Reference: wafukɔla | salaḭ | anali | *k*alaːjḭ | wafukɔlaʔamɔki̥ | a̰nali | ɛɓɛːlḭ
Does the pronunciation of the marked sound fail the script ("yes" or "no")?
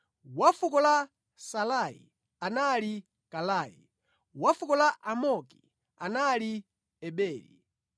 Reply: no